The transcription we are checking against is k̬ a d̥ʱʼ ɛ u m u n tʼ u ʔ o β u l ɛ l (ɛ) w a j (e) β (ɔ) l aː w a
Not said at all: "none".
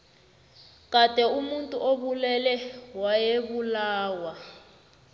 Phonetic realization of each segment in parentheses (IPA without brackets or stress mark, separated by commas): ɛ, e, u